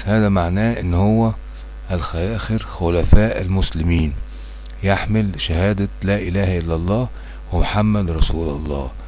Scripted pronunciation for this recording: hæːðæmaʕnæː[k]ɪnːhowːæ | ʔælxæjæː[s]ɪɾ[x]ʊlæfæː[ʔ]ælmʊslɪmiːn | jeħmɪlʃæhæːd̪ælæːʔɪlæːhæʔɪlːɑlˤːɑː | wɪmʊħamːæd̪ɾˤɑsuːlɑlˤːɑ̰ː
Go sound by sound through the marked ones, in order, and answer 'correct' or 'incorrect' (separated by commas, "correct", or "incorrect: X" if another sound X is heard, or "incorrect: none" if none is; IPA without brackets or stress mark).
incorrect: ʔ, incorrect: x, correct, correct